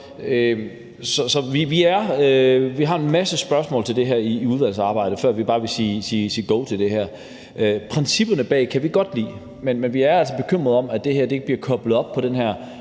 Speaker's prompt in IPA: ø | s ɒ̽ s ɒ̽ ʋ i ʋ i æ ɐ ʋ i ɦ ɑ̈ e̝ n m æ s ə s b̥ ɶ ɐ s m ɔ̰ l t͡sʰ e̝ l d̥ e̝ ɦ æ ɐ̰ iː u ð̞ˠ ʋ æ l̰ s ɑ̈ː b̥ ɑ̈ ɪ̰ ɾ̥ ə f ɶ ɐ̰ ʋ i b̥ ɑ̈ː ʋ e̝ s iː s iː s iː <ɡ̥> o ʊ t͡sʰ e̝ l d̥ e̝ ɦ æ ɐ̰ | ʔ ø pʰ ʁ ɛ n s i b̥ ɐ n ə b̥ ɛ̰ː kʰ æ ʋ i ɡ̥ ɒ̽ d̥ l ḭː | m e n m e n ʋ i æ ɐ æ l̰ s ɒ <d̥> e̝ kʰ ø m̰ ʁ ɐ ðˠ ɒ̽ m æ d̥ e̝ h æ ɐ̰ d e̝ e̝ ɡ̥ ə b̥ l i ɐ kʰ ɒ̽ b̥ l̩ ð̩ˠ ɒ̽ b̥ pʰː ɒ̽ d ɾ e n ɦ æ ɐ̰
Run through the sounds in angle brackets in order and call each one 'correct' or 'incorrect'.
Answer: correct, incorrect: b̥

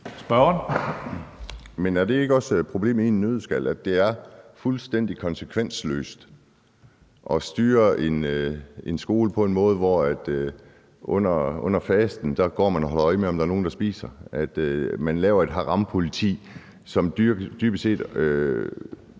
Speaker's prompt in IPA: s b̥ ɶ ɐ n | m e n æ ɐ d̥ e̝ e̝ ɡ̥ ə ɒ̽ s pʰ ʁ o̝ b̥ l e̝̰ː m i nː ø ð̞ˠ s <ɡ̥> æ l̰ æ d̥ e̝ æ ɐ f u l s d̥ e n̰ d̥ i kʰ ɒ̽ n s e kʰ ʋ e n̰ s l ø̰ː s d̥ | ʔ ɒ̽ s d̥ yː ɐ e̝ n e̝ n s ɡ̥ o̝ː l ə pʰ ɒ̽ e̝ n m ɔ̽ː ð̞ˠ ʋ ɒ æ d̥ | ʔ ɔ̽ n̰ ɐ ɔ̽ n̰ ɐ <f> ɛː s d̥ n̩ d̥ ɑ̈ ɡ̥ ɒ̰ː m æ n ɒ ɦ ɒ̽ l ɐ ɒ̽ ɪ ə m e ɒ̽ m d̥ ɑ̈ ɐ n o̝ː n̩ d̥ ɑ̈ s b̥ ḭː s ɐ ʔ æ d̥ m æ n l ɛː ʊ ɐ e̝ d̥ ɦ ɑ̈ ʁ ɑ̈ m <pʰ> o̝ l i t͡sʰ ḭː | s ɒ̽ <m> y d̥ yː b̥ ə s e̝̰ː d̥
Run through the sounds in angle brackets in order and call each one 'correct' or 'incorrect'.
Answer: correct, correct, correct, correct

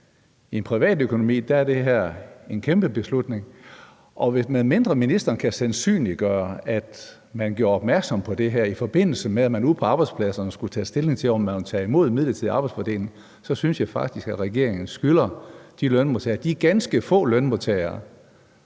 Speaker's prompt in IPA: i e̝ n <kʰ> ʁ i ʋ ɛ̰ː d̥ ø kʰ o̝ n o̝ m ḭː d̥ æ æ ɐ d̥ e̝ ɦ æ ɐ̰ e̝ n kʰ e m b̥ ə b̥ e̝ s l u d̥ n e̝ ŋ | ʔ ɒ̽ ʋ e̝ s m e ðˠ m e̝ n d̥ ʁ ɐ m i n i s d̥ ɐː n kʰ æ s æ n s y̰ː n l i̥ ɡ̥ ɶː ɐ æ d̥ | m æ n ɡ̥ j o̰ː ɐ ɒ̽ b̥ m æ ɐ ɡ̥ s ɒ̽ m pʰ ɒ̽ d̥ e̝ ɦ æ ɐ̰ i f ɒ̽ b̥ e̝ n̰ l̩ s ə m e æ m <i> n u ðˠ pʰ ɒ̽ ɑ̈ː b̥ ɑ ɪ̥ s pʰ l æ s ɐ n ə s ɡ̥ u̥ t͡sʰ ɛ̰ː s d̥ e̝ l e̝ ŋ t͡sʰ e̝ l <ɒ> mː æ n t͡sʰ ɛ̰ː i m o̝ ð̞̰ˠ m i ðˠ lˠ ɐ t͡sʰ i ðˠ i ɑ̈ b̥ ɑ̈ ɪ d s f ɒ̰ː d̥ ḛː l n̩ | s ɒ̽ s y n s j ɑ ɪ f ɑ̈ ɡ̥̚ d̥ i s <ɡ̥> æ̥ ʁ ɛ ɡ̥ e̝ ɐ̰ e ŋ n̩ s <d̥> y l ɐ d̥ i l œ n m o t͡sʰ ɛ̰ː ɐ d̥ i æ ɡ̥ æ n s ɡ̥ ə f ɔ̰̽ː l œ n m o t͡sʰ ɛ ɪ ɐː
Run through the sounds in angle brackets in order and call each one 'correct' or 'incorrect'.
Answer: incorrect: pʰ, incorrect: æ, correct, correct, incorrect: ɡ̥

